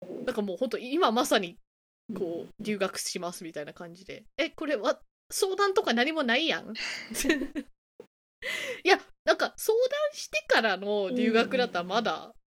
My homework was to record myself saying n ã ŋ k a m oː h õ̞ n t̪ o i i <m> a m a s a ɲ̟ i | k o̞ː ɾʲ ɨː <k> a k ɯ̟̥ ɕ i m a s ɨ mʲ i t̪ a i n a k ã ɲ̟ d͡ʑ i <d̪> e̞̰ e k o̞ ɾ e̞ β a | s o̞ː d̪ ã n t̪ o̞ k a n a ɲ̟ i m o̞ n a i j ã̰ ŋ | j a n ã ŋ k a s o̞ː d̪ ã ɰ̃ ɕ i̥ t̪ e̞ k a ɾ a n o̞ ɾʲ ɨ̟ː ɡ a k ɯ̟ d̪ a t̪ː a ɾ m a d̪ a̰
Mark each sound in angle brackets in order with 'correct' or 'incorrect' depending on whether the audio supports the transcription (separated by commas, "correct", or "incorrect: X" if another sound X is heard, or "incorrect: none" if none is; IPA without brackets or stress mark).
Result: correct, incorrect: ɡ, correct